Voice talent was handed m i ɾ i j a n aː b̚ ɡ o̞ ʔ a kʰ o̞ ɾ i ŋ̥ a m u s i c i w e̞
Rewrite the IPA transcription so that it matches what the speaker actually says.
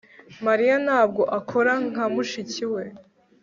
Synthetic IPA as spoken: m a ɾ i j a n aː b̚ ɡ o̞ ʔ a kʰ o̞ ɾ a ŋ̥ a m u ʃ i c i w e̞

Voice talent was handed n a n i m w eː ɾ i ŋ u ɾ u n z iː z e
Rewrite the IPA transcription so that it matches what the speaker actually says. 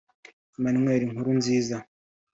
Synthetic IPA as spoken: m a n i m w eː ɾ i ŋ u ɾ u n z iː z a

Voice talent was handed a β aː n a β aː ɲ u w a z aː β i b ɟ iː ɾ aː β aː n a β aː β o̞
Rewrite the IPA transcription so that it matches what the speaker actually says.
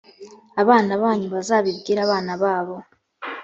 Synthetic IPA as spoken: a β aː n a β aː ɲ u β a z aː β i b ɡ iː ɾ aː β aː n a β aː β o̞

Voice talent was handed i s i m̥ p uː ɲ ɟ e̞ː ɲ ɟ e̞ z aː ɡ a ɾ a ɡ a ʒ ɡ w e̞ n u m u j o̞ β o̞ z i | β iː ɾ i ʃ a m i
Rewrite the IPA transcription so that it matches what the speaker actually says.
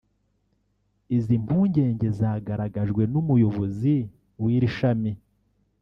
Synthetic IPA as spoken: i z i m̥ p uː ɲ ɟ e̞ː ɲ ɟ e̞ z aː ɡ a ɾ a ɡ a ʒ ɡ w e̞ n u m u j o̞ β o̞ z i | w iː ɾ i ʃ a m i

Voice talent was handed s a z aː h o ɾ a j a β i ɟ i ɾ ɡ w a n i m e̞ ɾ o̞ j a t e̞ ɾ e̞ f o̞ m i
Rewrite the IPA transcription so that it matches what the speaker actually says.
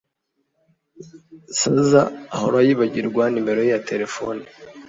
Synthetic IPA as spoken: s a z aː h o ɾ a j i β a ɟ i ɾ ɡ w a n i m e̞ ɾ o̞ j a t e̞ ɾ e̞ f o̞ n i

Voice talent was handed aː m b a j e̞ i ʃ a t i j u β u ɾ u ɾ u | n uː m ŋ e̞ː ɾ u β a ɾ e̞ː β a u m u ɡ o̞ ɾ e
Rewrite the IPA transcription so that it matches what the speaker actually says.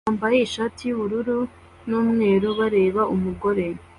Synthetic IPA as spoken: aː m b a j e̞ i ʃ a t i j u β u ɾ u ɾ u | n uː m ŋ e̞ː ɾ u β a ɾ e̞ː β a u m u ɡ o̞ ɾ e

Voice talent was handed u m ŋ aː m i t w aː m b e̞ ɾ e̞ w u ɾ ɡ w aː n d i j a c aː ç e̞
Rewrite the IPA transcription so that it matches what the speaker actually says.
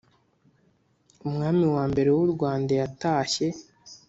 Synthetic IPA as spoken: u m ŋ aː m i w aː m b e̞ ɾ e̞ w u ɾ ɡ w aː n d a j a t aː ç e̞

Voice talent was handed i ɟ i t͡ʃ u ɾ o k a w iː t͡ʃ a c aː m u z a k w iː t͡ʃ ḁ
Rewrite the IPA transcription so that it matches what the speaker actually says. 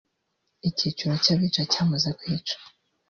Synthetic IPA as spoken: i c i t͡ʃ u ɾ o c a β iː t͡ʃ a c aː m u z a k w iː t͡ʃ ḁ

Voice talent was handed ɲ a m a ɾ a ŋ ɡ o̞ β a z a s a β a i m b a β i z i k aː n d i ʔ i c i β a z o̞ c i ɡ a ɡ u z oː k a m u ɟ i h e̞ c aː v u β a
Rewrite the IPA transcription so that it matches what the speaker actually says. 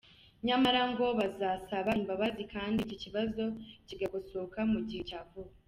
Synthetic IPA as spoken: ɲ a m a ɾ a ŋ ɡ o̞ β a z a s a β a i m b a β a z i k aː n d i c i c i β a z o̞ c i ɡ a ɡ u s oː k a m u ɟ i h e̞ c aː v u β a

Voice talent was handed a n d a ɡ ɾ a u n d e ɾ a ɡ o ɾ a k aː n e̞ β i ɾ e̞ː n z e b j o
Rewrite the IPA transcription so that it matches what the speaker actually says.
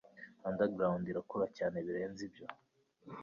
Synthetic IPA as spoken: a n d a ɡ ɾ a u n d i ɾ a k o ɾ a c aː n e̞ β i ɾ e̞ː n z i b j o

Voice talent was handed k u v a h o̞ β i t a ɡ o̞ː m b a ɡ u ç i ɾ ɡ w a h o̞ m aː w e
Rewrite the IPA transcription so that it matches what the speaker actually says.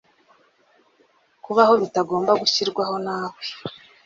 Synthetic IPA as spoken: k u β a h o̞ β i t a ɡ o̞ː m b a ɡ u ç i ɾ ɡ w a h o̞ n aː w e

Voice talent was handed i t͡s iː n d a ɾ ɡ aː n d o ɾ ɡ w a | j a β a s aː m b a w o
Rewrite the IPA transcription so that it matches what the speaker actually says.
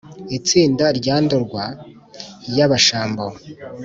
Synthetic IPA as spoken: i t͡s iː n d a ɾ ɟ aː n d o ɾ ɡ w a | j a β a ʃ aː m b a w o

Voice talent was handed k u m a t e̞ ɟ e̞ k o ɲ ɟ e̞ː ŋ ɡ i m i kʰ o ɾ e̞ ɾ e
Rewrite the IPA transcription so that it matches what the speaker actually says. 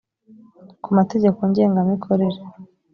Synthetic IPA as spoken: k u m a t e̞ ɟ e̞ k o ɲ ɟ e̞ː ŋ ɡ a m i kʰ o ɾ e̞ ɾ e

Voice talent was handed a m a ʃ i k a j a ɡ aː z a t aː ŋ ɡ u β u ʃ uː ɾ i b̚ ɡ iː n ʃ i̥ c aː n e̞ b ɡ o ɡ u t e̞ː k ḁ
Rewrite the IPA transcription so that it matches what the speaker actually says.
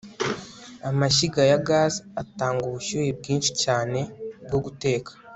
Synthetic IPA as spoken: a m a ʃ i ɡ a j a ɡ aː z a t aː ŋ ɡ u β u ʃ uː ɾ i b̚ ɡ iː n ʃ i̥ c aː n e̞ b ɡ o ɡ u t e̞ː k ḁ

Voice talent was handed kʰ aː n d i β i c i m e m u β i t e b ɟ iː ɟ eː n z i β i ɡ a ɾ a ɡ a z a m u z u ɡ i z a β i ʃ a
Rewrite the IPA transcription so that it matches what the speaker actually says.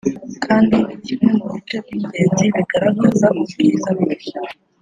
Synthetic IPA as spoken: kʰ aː n d i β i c i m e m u β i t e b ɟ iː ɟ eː n z i β i ɡ a ɾ a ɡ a z a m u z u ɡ i z a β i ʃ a

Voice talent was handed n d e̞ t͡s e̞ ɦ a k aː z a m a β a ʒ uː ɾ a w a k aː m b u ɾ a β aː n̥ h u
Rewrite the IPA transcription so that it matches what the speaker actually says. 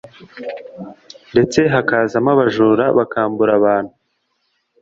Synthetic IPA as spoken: n d e̞ t͡s e̞ ɦ a k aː z a m a β a ʒ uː ɾ a β a k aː m b u ɾ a β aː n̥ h u

